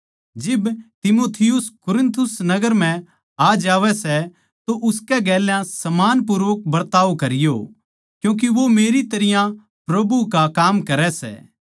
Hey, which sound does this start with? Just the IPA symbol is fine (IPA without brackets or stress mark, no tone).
d͡ʒ